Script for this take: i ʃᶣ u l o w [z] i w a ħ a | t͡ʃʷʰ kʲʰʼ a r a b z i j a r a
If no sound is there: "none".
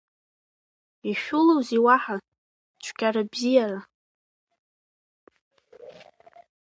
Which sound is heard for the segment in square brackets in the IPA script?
z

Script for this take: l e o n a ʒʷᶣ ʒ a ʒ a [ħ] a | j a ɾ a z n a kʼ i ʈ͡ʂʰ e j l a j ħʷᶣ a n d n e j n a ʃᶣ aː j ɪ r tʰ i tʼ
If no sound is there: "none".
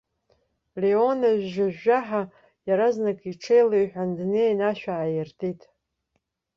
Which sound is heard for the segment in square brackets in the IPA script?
ħ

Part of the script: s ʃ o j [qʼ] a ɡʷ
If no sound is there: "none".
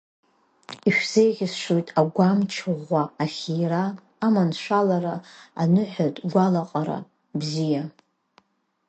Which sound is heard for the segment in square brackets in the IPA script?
tʼ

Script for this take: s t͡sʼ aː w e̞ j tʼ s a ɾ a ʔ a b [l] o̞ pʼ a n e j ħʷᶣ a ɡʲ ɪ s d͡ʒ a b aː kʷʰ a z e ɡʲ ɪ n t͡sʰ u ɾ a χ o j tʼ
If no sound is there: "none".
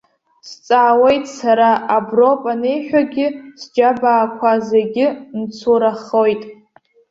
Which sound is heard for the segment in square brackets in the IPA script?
r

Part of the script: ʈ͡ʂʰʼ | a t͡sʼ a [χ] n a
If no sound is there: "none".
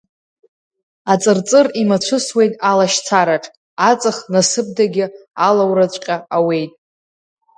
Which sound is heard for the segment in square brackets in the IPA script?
χ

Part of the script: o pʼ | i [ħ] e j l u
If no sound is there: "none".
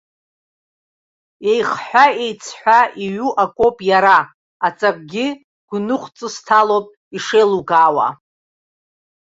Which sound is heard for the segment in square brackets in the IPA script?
ʂ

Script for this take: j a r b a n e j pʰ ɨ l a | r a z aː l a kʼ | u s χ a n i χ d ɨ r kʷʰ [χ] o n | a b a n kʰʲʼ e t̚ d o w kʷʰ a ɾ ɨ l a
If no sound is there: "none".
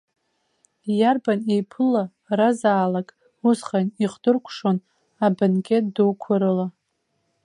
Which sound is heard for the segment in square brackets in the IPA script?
ʂ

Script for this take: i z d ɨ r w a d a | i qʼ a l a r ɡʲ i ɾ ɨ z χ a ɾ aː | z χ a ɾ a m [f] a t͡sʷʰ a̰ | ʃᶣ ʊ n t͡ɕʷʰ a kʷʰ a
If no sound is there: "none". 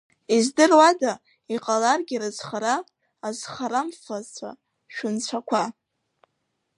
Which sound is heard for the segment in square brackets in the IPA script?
f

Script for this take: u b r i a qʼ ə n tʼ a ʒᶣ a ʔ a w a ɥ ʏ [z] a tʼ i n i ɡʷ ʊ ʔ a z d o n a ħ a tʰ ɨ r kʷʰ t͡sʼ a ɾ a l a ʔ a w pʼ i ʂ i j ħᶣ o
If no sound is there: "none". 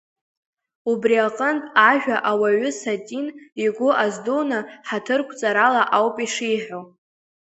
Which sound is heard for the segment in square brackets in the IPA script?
s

